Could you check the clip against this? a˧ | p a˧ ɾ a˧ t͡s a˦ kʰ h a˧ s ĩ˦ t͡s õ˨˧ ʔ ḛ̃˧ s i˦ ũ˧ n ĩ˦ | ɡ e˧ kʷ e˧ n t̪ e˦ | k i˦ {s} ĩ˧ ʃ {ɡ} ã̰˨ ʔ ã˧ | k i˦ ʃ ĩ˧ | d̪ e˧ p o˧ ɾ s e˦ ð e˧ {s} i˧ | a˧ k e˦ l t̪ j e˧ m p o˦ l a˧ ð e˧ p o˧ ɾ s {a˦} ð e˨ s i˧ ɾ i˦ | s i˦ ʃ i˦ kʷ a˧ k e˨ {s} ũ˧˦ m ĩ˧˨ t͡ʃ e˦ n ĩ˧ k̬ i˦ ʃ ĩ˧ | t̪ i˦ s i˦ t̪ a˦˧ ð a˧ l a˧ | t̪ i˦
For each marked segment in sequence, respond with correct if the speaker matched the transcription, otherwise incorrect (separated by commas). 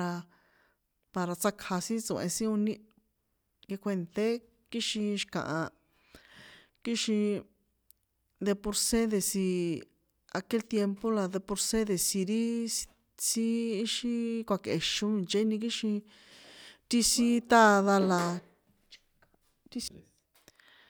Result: incorrect, incorrect, correct, incorrect, incorrect